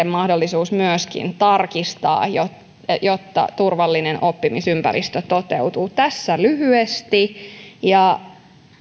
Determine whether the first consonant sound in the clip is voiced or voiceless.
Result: voiced